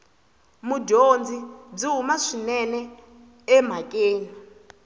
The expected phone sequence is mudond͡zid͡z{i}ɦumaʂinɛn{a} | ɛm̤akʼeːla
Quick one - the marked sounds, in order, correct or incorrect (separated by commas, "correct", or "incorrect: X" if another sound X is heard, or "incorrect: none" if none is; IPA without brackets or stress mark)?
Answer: correct, incorrect: ɛ